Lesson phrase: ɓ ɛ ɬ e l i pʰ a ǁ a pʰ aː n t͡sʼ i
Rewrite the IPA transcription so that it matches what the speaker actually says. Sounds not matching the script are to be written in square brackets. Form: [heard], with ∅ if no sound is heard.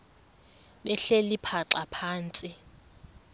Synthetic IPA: ɓ ɛ ɬ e l i pʰ a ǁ a pʰ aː n t͡sʼ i